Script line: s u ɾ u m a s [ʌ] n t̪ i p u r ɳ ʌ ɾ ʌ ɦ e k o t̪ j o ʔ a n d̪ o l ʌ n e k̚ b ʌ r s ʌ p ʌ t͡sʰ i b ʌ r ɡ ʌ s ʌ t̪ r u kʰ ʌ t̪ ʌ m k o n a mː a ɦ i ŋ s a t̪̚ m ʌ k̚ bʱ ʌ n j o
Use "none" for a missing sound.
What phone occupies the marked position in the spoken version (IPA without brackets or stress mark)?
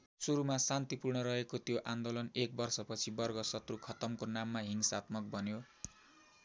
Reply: a